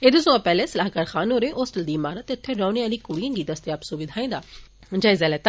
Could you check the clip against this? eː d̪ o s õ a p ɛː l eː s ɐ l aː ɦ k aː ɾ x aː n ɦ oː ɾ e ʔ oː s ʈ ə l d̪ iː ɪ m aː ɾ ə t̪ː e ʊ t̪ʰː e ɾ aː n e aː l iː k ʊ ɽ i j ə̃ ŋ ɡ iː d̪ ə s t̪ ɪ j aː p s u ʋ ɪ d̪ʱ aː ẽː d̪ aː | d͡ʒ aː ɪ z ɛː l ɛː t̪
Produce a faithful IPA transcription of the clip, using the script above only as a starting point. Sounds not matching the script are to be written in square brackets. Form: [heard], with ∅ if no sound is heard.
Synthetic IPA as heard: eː d̪ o s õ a p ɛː l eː s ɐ l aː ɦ k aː ɾ x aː n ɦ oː ɾ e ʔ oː s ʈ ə l d̪ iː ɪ m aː ɾ ə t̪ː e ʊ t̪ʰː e ɾ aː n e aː l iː k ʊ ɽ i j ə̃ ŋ ɡ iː d̪ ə s t̪ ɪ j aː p s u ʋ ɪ d̪ʱ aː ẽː d̪ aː | d͡ʒ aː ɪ z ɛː l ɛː t̪